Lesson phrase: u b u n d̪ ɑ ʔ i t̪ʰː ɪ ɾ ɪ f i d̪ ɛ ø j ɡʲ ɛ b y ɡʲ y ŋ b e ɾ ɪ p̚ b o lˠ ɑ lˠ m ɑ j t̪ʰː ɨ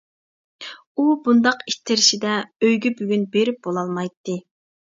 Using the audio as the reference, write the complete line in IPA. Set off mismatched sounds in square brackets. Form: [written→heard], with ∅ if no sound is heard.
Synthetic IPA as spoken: u b u n d̪ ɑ [ʔ→q] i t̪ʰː ɪ ɾ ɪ [f→ʃ] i d̪ ɛ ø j ɡʲ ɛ b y ɡʲ y [ŋ→n] b e ɾ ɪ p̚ b o lˠ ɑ lˠ m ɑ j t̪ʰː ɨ

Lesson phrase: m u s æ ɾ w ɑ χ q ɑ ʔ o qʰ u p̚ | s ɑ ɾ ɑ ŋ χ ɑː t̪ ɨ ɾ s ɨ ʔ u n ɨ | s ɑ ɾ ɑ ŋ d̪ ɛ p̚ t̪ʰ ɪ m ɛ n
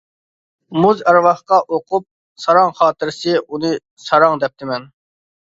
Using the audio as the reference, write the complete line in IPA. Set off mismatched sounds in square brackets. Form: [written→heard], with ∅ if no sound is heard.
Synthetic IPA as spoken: m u [s→z] æ ɾ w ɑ χ q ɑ ʔ o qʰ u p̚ | s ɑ ɾ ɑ ŋ χ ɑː t̪ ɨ ɾ s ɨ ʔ u n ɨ | s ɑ ɾ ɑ ŋ d̪ ɛ p̚ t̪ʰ ɪ m ɛ n

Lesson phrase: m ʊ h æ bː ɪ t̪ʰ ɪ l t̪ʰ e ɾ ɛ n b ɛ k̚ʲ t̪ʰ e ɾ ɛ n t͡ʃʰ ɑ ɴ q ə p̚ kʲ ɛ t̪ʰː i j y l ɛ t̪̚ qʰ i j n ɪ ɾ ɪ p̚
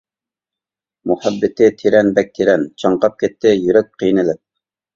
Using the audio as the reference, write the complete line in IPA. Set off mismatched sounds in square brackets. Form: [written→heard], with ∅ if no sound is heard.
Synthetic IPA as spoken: m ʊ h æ bː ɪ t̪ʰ ɪ [l→∅] t̪ʰ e ɾ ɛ n b ɛ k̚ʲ t̪ʰ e ɾ ɛ n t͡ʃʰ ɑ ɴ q [ə→ɑ] p̚ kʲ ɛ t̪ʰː [i→ɪ] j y [l→ɾ] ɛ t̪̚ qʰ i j n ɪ [ɾ→l] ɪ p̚

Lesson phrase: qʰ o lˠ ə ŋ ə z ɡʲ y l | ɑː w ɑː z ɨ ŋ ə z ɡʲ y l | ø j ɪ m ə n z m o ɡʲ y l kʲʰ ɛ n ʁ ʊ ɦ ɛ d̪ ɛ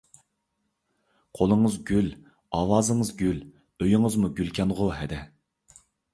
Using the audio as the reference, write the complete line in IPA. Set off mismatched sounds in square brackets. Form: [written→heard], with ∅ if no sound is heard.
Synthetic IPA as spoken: qʰ o lˠ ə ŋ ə z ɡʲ y l | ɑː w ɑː z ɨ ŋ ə z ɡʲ y l | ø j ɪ [m→ŋ] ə [n→∅] z m [o→u] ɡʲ y l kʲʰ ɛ n ʁ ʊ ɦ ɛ d̪ ɛ

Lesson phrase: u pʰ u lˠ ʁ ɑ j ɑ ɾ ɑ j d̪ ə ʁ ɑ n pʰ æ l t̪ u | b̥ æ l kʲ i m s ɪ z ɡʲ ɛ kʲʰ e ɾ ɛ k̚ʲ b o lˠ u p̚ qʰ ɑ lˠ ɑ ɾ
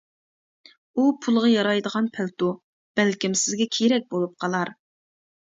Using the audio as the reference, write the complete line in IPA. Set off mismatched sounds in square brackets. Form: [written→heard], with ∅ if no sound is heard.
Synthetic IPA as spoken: u pʰ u lˠ ʁ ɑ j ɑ ɾ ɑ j d̪ ə ʁ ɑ n pʰ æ l t̪ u | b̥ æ l kʲ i m s ɪ z ɡʲ ɛ kʲʰ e ɾ ɛ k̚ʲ b o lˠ u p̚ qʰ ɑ lˠ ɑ ɾ

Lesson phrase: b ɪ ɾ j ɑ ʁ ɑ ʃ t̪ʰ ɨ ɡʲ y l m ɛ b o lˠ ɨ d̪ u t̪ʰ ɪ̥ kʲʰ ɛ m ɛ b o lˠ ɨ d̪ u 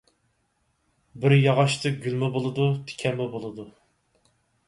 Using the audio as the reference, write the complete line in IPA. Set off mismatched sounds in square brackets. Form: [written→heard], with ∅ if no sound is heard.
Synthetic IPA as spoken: b ɪ ɾ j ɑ ʁ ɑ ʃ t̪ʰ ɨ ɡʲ y l m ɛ b o lˠ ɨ d̪ u t̪ʰ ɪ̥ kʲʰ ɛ m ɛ b o lˠ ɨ d̪ u

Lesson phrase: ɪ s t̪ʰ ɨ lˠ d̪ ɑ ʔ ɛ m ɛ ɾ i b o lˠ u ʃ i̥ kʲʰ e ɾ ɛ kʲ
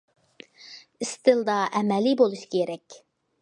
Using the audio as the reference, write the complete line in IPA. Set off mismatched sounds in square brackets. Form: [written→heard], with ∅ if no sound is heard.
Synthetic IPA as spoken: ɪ s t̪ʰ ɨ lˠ d̪ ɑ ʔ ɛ m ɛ [ɾ→l] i b o lˠ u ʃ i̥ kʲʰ e ɾ ɛ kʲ

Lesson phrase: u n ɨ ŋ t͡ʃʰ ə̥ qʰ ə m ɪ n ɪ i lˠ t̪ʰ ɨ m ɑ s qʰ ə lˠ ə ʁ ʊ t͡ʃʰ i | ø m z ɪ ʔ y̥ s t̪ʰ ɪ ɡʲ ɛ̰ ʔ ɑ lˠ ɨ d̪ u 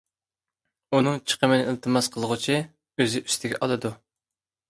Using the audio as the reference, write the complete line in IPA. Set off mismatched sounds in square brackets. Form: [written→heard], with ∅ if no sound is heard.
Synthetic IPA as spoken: u n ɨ ŋ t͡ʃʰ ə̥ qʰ ə m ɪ n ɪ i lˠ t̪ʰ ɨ m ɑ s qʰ ə lˠ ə ʁ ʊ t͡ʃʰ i | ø [m→∅] z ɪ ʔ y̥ s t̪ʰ ɪ ɡʲ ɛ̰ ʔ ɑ lˠ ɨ d̪ u

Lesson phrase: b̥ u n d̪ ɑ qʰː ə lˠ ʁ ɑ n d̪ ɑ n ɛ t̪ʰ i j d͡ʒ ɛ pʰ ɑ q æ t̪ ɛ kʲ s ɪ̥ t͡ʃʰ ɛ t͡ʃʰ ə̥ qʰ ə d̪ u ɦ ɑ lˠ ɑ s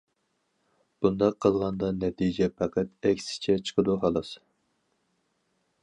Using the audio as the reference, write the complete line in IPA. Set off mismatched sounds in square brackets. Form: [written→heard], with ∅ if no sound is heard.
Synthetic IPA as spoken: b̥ u n d̪ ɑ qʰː ə lˠ ʁ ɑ n d̪ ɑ n ɛ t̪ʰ i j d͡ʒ ɛ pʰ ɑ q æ t̪ ɛ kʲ s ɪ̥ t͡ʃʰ ɛ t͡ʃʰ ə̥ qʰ ə d̪ u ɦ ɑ lˠ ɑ s

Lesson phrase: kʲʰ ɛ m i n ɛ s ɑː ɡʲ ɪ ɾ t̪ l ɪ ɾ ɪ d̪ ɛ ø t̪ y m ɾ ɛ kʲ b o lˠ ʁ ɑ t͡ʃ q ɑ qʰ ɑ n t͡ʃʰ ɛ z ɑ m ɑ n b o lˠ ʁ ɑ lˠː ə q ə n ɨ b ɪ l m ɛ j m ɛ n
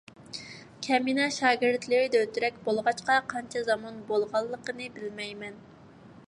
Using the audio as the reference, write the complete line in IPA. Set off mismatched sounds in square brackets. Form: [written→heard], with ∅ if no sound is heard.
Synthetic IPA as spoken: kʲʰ ɛ m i n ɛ [s→ʃ] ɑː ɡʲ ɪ ɾ t̪ l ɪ ɾ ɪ d̪ ɛ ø t̪ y [m→∅] ɾ ɛ kʲ b o lˠ ʁ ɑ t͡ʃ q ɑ qʰ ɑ n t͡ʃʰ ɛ z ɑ m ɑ n b o lˠ ʁ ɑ lˠː ə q ə n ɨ b ɪ l m ɛ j m ɛ n

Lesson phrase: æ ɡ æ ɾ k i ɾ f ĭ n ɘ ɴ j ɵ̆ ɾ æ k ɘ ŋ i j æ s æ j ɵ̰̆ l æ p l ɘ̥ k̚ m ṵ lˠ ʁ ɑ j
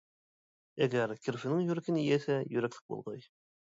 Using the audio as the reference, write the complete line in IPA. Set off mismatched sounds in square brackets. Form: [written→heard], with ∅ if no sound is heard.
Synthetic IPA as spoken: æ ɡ æ ɾ k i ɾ f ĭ n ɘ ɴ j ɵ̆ ɾ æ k ɘ [ŋ→n] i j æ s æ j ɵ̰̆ [l→ɾ] æ [p→k] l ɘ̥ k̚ [m→b] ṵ lˠ ʁ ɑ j

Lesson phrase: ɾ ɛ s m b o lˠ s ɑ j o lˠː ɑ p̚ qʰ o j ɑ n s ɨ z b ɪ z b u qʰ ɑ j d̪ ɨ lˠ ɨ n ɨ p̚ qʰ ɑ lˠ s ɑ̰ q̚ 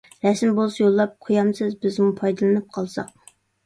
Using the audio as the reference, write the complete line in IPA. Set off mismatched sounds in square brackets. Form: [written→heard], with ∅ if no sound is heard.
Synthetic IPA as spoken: ɾ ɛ s m b o lˠ s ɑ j o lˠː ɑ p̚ qʰ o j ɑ [n→m] s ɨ z b ɪ z [b→m] u [qʰ→pʰ] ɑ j d̪ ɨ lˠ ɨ n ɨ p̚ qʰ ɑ lˠ s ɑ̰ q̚

